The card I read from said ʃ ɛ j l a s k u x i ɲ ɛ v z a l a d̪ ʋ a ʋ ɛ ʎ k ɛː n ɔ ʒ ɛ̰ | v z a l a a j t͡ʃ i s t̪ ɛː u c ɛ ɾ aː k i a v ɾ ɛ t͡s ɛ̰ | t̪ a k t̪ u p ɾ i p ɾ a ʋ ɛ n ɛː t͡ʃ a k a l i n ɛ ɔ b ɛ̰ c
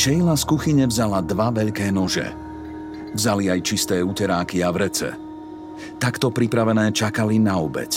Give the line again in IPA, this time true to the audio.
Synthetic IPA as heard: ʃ ɛ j l a s k u x i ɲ ɛ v z a l a d̪ ʋ a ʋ ɛ ʎ k ɛː n ɔ ʒ ɛ̰ | v z a l i a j t͡ʃ i s t̪ ɛː u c ɛ ɾ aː k i a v ɾ ɛ t͡s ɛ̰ | t̪ a k t̪ ɔ p ɾ i p ɾ a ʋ ɛ n ɛː t͡ʃ a k a l i n a ɔ b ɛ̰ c